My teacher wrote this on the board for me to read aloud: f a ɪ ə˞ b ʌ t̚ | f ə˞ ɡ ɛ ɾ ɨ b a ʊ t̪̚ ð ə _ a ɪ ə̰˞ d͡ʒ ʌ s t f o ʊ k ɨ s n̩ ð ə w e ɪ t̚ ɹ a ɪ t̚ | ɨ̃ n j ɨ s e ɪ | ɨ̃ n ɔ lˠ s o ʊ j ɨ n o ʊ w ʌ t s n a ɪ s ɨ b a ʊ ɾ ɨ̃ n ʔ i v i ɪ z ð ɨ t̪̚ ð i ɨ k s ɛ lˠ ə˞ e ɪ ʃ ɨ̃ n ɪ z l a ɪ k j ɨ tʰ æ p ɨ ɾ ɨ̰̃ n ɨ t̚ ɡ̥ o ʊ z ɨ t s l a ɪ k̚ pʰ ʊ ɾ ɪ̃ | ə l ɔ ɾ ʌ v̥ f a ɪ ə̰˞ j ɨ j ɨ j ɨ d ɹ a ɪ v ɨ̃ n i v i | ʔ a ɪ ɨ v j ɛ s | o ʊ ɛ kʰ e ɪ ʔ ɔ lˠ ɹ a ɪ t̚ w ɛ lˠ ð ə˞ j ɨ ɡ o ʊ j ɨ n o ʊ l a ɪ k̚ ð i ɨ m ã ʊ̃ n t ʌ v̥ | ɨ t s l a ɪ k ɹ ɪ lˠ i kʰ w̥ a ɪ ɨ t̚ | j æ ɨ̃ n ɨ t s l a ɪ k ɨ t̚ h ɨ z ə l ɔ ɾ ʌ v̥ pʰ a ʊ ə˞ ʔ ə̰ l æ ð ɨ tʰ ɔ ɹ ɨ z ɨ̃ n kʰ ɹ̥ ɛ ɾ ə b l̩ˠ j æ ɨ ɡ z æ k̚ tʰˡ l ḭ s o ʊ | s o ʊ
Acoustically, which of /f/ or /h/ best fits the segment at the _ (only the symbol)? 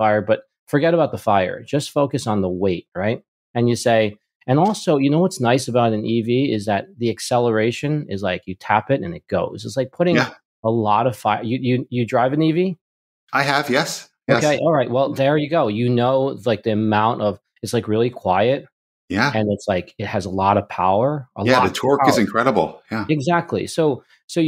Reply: f